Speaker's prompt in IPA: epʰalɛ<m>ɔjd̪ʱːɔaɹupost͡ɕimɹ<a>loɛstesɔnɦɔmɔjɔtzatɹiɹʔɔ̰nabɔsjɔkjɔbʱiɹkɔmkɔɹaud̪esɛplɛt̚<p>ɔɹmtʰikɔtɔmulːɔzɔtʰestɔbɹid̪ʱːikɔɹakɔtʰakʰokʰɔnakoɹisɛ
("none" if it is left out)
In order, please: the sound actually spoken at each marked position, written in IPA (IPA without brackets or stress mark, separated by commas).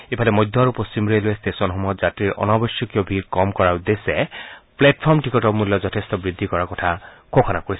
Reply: m, e, pʰ